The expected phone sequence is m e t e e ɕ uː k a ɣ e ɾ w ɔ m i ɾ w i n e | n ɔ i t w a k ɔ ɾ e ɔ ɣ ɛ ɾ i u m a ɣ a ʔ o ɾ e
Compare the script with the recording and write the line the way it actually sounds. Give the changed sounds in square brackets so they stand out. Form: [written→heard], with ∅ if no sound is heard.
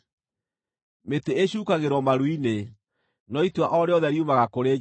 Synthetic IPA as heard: m e t e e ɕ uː k a ɣ e ɾ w ɔ m [i→a] ɾ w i n e | n ɔ i t w a [k→ʔ] ɔ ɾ e ɔ [ɣ→ð] ɛ ɾ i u m a ɣ a [ʔ→k] o ɾ e

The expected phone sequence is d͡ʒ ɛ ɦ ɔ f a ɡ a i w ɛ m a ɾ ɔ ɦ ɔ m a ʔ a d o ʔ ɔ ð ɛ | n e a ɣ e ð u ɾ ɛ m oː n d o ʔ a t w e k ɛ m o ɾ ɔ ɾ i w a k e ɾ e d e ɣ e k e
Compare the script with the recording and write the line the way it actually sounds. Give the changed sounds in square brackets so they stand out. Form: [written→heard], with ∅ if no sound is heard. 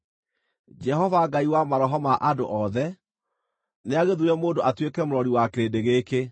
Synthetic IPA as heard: d͡ʒ ɛ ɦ ɔ [f→v] a ɡ a i w [ɛ→a] m a ɾ ɔ ɦ ɔ m a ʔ a d o ʔ ɔ ð ɛ | n e a ɣ e ð u ɾ ɛ m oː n d o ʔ a t w e k ɛ m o ɾ ɔ ɾ i w a k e ɾ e d e ɣ e k e

